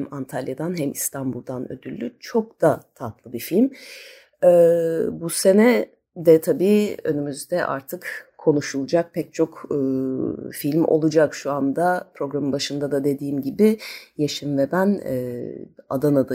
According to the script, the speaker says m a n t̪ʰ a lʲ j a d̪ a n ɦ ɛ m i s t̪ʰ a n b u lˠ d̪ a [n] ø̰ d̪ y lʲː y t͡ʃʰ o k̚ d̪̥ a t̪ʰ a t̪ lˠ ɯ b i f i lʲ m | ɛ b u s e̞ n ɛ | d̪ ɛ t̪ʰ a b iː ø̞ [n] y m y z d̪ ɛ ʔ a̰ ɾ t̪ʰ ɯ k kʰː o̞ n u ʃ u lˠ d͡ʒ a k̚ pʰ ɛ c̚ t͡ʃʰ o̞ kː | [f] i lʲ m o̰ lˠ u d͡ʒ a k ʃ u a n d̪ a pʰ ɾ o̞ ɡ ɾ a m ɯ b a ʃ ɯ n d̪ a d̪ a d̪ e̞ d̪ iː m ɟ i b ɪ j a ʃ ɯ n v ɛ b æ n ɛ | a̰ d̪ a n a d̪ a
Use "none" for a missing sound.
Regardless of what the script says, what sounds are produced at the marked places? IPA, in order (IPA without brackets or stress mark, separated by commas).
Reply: n, n, f